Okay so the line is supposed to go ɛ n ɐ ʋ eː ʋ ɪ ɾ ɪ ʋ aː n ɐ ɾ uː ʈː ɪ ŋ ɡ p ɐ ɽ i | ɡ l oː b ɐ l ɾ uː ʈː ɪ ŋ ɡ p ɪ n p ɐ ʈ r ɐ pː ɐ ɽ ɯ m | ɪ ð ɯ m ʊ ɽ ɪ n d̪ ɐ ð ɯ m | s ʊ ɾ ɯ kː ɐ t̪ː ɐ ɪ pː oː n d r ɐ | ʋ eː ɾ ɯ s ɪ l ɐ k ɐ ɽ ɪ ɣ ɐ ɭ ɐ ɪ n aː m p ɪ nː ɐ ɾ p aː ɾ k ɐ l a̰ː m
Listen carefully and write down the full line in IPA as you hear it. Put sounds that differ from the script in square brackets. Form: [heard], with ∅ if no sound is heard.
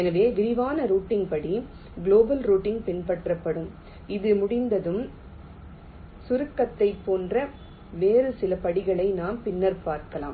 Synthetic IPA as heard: ɛ n ɐ ʋ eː ʋ ɪ ɾ ɪ ʋ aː n ɐ ɾ uː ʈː ɪ ŋ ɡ p ɐ ɽ i | ɡ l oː b ɐ l ɾ uː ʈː ɪ ŋ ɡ p ɪ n p ɐ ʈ r ɐ pː ɐ ɽ ɯ m | ɪ ð ɯ m ʊ ɽ ɪ n d̪ ɐ ð ɯ m | s ʊ ɾ ɯ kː ɐ t̪ː ɐ ɪ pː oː n d r ɐ | ʋ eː ɾ ɯ s ɪ l ɐ [p] ɐ ɽ ɪ ɣ ɐ ɭ ɐ ɪ n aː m p ɪ nː ɐ ɾ p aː ɾ k ɐ l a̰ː m